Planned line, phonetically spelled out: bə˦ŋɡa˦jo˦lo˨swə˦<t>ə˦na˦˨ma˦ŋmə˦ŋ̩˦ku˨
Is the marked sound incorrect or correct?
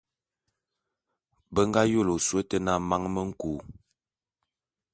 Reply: correct